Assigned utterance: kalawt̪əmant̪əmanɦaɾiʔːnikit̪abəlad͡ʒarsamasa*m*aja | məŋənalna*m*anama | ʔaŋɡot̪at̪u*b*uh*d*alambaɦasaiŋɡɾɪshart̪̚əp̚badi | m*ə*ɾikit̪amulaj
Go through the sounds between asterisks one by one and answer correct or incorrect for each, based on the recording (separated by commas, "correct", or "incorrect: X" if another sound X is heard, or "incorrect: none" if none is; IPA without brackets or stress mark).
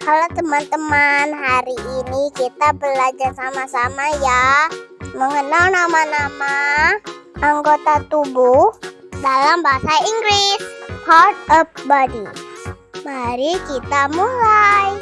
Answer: correct, correct, correct, correct, incorrect: a